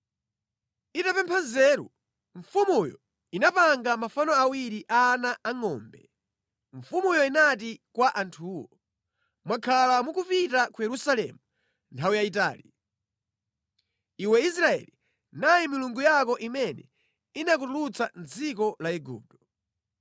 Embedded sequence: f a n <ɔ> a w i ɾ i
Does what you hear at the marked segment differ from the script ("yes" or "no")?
no